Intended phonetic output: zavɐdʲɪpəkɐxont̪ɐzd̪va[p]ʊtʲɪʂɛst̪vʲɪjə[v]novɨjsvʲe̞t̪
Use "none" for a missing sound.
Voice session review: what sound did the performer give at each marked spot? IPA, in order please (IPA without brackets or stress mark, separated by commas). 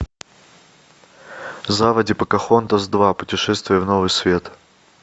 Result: p, v